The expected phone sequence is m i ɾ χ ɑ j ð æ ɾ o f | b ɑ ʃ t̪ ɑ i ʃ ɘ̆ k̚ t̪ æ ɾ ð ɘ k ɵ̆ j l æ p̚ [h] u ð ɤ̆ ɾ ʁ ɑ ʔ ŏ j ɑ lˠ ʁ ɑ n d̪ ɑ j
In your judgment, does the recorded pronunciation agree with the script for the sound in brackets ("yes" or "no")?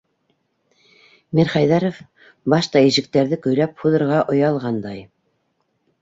yes